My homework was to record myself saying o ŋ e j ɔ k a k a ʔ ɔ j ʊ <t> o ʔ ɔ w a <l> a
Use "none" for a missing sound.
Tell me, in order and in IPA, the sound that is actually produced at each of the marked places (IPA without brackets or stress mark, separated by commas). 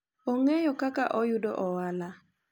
d, l